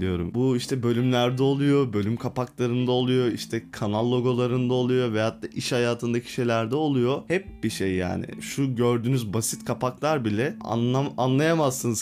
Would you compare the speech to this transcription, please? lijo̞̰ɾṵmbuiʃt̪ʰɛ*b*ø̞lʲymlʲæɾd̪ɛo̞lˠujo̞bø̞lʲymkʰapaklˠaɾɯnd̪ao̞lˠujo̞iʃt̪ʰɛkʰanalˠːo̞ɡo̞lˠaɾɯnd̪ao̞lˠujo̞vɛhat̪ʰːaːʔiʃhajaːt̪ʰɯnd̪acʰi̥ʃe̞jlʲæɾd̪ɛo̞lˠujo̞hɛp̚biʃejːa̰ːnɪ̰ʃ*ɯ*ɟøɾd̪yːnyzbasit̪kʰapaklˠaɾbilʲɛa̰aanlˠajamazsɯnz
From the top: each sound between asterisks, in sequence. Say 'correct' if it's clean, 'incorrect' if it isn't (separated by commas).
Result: correct, incorrect